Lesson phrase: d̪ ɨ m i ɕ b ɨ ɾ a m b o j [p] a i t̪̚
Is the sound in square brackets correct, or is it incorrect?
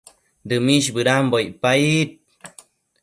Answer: correct